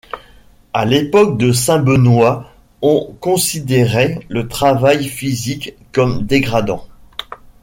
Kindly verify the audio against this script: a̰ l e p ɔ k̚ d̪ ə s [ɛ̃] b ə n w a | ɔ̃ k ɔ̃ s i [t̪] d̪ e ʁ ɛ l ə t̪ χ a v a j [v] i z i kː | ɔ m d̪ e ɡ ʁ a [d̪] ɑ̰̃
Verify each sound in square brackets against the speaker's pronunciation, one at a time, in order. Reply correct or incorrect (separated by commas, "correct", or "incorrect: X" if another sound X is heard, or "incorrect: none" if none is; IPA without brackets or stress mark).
correct, incorrect: none, incorrect: f, correct